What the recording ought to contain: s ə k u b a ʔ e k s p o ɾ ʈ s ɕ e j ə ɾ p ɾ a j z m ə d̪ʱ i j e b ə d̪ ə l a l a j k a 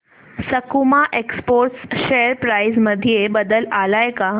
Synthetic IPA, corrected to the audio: s ə k u m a ʔ e k s p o ɾ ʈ s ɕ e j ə ɾ p ɾ a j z m ə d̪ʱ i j e b ə d̪ ə l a l a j k a